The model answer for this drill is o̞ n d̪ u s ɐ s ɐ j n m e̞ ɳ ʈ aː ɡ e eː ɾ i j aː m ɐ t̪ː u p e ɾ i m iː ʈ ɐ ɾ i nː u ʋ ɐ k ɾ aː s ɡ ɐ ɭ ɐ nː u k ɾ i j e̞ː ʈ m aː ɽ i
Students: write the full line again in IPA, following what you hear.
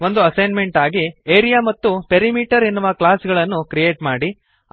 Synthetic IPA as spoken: o̞ n d̪ u ɐ s ɐ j n m e̞ ɳ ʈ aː ɡ i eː ɾ i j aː m ɐ t̪ː u p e ɾ i m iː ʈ ɐ ɾ i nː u ʋ ɐ k l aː s ɡ ɐ ɭ ɐ nː u k ɾ i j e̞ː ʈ m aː ɽ i